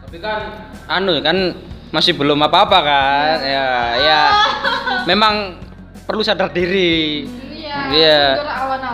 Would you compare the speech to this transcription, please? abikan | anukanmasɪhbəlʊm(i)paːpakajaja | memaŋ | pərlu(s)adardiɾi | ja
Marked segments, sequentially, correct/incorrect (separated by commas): incorrect, correct